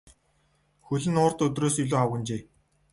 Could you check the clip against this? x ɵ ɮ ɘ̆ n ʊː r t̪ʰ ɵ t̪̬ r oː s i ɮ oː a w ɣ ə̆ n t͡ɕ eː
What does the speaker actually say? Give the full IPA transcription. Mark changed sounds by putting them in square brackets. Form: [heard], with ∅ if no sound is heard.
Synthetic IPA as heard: x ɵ ɮ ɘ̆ n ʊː r [t̪] ɵ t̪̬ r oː s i ɮ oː a w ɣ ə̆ n t͡ɕ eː